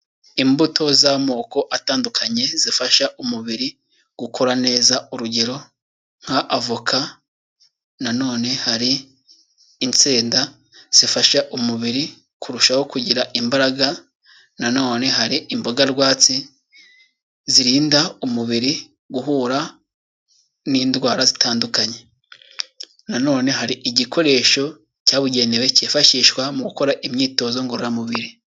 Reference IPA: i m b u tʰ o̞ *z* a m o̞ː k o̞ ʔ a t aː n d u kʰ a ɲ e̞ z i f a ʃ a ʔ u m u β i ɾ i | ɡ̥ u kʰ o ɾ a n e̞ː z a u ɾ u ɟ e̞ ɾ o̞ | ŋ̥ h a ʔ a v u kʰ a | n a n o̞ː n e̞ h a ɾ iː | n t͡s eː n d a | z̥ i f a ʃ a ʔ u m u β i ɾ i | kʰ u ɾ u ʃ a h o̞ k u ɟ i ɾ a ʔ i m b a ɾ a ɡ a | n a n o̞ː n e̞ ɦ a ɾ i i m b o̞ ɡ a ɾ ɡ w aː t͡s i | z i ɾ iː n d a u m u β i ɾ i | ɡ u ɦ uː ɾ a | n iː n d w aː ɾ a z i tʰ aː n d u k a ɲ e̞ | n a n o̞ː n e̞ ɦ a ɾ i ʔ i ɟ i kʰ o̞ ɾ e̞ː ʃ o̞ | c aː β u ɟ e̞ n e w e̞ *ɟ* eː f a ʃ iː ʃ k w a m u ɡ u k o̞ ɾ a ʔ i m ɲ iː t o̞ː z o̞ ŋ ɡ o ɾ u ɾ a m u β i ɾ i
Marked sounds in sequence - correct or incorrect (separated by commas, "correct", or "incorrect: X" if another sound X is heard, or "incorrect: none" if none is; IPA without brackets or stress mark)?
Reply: correct, incorrect: c